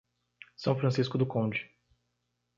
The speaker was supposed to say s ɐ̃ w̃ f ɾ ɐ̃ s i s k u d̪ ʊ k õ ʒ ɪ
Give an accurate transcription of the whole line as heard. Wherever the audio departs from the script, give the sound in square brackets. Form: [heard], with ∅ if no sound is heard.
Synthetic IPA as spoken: s ɐ̃ w̃ f ɾ ɐ̃ s i s k [ʊ] d̪ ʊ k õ [d͡ʒ] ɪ